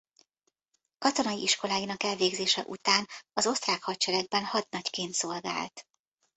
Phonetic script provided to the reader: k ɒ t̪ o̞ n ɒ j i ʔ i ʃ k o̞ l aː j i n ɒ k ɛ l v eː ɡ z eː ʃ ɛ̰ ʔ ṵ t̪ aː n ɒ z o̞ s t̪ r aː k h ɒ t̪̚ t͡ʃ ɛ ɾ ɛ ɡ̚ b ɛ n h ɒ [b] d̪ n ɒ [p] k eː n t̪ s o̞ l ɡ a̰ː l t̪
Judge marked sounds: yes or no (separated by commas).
no, no